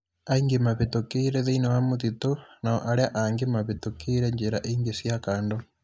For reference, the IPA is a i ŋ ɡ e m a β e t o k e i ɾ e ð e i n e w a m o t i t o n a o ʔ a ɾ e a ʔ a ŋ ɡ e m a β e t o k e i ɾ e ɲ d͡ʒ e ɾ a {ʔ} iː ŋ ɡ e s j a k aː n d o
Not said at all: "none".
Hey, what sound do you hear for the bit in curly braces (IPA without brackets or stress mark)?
ʔ